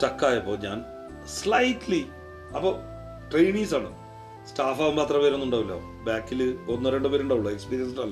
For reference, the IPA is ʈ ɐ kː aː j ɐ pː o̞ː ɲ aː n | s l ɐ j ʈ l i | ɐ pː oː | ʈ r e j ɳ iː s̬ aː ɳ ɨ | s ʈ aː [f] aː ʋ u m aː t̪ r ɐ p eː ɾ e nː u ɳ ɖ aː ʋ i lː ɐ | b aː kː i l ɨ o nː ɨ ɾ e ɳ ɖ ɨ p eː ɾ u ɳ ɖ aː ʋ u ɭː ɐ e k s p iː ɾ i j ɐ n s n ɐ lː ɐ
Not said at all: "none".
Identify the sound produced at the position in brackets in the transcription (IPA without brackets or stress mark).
f